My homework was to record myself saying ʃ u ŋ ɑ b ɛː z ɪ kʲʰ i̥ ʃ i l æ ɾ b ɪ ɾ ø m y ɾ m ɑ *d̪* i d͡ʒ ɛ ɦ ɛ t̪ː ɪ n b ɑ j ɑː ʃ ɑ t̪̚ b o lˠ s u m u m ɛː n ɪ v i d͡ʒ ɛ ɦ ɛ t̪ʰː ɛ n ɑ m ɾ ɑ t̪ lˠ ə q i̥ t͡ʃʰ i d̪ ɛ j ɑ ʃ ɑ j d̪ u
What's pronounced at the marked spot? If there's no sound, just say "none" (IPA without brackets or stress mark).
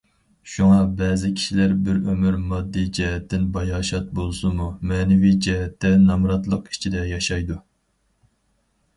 d̪ː